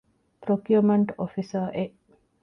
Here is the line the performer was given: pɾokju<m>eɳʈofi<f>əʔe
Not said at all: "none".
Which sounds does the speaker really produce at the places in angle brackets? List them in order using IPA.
m, s

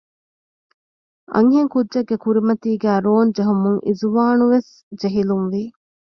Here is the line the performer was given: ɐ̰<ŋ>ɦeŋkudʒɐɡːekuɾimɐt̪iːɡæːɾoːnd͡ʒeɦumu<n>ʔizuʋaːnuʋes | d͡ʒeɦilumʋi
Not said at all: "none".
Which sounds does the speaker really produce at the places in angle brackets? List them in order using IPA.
ŋ, ŋ

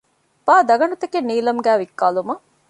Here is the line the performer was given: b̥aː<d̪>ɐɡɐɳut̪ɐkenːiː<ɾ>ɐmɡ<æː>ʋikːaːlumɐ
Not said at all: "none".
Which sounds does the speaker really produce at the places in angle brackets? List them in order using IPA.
d̪, l, æː

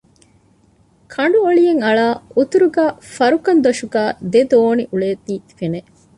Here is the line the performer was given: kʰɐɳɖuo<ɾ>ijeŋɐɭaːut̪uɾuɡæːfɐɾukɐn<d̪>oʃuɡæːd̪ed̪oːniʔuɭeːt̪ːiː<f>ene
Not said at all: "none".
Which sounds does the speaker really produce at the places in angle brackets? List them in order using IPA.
ɭ, d̪, f

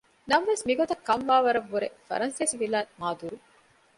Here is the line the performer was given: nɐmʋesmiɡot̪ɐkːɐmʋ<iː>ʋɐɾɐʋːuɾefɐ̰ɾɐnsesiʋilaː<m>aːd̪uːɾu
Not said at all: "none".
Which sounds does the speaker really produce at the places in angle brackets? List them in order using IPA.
aː, m

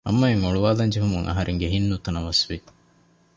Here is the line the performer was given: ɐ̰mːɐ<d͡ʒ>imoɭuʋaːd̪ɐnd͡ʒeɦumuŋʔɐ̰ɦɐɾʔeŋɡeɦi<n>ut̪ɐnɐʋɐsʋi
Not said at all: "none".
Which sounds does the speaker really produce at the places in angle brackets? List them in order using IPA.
none, nː

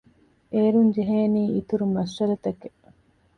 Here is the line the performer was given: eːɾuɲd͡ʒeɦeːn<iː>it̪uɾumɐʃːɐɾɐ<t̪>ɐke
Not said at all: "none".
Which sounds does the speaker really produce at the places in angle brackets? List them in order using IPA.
iː, t̪

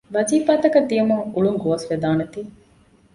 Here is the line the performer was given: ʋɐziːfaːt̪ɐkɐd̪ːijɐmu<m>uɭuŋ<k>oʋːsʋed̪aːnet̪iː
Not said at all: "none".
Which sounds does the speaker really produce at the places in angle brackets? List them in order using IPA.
ŋ, ɡ

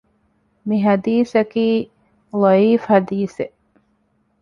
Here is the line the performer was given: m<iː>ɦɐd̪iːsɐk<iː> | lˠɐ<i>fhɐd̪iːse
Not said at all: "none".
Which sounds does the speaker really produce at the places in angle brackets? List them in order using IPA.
i, iː, iː

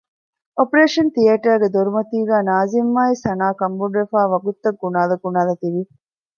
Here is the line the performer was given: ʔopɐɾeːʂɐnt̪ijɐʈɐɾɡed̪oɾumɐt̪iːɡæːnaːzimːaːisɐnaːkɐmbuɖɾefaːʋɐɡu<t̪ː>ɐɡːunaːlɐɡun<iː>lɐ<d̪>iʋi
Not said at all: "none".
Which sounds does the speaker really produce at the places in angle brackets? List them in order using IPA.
t̪ː, aː, t̪

